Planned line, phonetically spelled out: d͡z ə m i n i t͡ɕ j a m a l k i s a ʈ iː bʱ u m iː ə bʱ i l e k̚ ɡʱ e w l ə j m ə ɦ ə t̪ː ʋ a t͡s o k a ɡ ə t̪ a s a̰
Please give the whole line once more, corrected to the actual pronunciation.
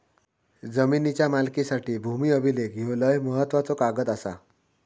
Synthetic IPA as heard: d͡z ə m i n i t͡ɕ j a m a l k i s a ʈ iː bʱ u m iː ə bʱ i l e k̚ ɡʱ e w l ə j m ə ɦ ə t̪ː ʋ a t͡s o k a ɡ ə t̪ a s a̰